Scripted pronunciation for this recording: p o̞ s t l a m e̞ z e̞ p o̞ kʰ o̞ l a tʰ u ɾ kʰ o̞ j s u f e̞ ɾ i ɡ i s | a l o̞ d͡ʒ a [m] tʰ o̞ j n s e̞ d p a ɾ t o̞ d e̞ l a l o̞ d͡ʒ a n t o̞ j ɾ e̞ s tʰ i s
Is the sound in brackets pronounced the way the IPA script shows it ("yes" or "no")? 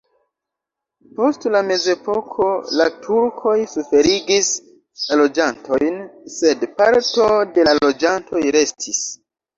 no